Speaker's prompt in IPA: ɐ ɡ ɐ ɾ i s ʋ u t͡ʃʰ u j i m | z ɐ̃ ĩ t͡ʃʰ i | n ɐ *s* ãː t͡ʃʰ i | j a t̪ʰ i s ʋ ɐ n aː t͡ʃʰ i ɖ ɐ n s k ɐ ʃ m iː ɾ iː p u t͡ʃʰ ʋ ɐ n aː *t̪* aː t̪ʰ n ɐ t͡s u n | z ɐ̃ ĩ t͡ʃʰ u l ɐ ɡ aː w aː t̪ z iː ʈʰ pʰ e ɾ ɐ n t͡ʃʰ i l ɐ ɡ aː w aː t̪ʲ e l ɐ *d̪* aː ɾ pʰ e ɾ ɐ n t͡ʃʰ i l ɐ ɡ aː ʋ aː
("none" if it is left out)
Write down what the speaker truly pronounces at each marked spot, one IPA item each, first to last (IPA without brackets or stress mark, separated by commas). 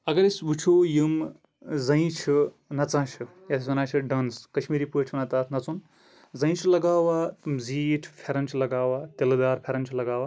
t͡s, t̪, d̪